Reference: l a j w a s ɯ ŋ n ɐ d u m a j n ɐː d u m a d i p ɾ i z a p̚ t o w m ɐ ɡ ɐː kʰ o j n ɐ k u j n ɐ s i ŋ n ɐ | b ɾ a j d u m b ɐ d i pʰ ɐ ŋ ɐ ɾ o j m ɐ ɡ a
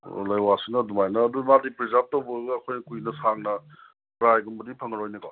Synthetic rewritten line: l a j w a s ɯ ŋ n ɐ d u m a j n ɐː d u m a d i p ɾ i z a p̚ t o w b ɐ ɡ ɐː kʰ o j n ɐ k u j n ɐ s a ŋ n ɐ | p ɾ a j ɡ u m b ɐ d i pʰ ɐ ŋ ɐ ɾ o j n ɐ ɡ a